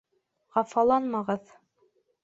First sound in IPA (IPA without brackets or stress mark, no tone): ʁ